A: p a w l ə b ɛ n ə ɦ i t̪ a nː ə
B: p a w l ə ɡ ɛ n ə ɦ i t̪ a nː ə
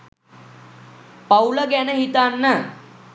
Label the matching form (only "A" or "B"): B